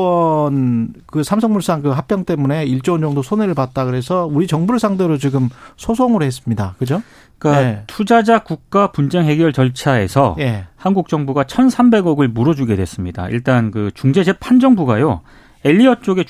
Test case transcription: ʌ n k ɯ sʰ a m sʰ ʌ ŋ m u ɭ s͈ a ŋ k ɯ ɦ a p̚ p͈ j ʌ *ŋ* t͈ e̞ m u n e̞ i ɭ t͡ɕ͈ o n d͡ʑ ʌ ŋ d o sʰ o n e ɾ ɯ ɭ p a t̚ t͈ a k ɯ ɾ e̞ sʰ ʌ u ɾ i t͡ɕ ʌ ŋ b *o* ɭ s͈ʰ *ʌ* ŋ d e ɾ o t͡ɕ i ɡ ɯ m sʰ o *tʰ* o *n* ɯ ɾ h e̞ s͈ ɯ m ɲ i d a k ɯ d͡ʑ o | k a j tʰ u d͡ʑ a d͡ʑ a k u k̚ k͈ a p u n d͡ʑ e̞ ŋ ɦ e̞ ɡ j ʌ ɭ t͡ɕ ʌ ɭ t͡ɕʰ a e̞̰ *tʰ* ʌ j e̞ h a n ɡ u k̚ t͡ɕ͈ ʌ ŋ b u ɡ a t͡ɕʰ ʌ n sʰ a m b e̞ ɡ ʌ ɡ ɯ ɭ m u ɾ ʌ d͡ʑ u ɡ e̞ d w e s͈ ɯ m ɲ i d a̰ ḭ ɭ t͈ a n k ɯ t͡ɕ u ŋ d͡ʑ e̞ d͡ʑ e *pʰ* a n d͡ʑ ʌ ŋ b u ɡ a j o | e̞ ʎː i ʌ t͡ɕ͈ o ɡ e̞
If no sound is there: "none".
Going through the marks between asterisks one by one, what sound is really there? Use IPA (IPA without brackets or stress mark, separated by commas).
ŋ, u, a, sʰ, ŋ, sʰ, pʰ